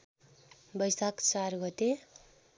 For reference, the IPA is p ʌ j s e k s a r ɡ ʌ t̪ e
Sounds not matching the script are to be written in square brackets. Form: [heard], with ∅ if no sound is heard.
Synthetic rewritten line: [b] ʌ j s [a] k [t͡s] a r ɡ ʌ t̪ e